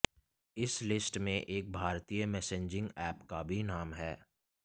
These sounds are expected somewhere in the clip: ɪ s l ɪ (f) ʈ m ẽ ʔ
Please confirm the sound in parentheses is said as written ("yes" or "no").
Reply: no